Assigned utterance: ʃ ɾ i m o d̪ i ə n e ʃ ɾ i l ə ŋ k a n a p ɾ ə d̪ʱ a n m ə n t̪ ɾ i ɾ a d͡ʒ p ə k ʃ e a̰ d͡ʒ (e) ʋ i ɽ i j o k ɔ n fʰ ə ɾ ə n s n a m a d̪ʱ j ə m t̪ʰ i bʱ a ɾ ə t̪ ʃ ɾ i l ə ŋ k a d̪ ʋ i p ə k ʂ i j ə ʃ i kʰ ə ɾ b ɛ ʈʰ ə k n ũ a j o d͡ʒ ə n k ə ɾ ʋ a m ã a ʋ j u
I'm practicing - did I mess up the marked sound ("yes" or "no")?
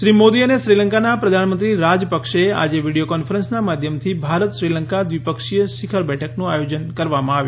no